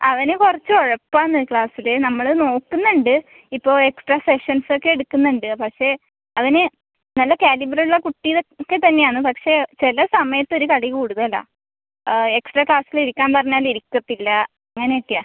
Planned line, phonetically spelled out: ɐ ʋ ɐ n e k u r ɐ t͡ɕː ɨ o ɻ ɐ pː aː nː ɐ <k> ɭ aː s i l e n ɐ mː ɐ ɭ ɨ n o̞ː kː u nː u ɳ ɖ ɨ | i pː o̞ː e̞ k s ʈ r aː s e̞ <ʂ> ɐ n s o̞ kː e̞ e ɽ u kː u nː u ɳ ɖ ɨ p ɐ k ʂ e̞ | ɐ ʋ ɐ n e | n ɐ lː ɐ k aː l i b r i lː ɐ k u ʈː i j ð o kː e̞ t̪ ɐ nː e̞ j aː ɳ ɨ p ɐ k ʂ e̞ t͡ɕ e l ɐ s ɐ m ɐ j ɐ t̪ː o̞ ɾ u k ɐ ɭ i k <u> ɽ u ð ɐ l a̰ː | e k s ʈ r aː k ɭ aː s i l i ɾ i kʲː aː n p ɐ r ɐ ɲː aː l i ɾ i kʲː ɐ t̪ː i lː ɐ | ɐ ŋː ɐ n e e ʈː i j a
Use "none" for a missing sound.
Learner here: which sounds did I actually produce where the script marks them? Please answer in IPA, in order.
k, ʂ, uː

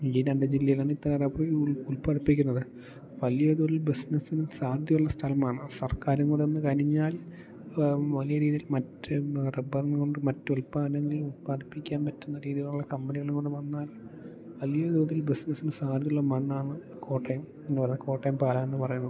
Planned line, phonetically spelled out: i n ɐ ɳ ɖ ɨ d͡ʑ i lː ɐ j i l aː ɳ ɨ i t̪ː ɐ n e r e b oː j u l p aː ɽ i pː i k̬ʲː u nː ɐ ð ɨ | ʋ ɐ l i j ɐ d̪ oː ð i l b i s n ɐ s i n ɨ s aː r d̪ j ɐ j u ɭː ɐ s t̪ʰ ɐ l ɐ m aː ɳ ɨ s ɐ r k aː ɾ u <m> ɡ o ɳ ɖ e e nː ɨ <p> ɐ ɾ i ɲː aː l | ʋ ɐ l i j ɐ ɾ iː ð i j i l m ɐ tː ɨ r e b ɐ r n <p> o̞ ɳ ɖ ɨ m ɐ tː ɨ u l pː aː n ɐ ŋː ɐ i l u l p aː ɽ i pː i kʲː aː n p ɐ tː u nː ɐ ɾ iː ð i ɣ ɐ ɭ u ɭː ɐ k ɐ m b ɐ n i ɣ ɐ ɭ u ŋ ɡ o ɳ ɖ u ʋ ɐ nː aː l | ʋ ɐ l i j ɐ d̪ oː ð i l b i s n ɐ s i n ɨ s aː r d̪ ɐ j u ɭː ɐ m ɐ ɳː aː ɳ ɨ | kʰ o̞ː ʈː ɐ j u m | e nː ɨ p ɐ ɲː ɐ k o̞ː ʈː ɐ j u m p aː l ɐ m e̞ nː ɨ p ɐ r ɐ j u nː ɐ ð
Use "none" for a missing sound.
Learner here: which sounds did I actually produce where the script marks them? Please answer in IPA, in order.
ŋ, k, k

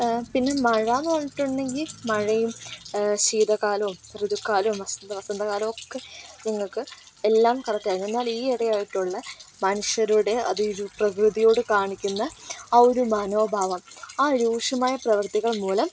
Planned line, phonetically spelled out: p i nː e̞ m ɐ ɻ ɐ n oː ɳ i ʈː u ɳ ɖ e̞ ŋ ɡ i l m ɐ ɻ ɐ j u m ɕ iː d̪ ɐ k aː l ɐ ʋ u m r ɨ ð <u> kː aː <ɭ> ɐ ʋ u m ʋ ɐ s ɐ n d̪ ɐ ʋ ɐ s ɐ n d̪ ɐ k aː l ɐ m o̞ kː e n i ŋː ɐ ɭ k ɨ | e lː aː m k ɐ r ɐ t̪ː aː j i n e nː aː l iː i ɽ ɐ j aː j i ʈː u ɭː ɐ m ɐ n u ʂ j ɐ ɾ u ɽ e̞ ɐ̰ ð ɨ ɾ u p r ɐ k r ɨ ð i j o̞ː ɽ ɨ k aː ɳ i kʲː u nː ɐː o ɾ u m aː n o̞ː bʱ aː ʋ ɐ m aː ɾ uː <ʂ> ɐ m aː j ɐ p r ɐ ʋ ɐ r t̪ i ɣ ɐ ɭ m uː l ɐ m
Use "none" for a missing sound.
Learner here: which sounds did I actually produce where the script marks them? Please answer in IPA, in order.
u, l, ʂ

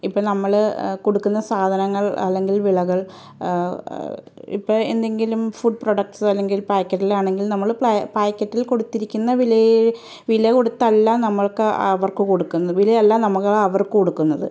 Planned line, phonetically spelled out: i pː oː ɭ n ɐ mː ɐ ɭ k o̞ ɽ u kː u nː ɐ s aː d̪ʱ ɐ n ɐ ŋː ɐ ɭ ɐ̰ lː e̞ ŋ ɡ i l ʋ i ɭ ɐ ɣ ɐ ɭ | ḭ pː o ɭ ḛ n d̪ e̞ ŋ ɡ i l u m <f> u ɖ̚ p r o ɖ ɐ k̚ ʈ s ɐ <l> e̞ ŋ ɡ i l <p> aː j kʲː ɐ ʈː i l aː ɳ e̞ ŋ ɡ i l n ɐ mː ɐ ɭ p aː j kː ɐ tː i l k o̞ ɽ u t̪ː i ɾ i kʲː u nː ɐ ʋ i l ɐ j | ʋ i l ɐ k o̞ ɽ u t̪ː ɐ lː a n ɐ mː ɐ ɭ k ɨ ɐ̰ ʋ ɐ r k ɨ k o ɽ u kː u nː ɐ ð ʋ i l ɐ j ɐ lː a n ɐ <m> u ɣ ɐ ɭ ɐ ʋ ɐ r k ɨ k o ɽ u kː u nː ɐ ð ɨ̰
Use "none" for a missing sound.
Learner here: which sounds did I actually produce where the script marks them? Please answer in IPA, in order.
f, lː, p, m

